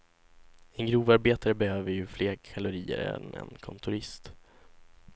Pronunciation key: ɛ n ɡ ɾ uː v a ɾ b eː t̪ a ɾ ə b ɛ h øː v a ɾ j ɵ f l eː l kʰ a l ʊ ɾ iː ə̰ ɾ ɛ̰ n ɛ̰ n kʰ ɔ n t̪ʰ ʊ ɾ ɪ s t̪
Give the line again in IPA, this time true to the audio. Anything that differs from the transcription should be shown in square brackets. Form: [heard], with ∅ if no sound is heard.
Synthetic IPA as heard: ɛ n ɡ ɾ uː v a ɾ b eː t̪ a ɾ ə b ɛ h øː v [ə] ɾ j ɵ f l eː [ɾ] kʰ a l ʊ ɾ iː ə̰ ɾ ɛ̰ n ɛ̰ n kʰ ɔ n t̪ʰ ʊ ɾ ɪ s t̪

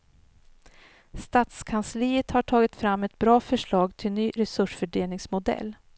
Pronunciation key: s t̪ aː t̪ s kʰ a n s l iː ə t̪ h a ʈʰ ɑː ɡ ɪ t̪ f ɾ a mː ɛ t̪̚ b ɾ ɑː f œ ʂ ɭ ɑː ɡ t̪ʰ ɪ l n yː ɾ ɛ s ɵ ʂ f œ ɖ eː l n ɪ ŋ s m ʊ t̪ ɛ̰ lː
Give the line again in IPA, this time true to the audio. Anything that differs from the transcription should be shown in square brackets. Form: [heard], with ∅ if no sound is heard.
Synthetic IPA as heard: s t̪ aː t̪ s kʰ a n s l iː ə t̪ h a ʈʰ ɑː ɡ ɪ t̪ f ɾ a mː ɛ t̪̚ b ɾ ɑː f œ ʂ ɭ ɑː ɡ t̪ʰ ɪ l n yː ɾ ɛ s ɵ ʂ f œ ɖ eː l n ɪ ŋ s m ʊ [d̪] ɛ̰ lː

